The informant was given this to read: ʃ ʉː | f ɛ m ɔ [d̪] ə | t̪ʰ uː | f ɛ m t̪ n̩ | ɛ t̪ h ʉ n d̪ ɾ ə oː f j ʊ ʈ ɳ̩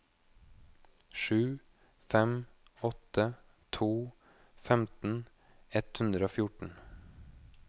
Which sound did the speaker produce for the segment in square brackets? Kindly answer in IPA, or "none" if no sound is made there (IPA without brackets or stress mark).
t̪